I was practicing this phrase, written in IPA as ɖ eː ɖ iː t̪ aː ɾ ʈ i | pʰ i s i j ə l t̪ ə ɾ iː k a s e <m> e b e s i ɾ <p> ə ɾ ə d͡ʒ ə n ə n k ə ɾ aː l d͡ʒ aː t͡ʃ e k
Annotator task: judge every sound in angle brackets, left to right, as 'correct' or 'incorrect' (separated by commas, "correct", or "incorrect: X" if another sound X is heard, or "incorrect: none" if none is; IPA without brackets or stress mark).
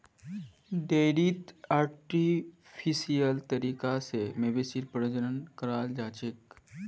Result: correct, correct